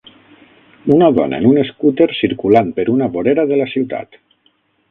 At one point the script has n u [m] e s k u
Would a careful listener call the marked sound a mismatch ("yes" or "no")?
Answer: yes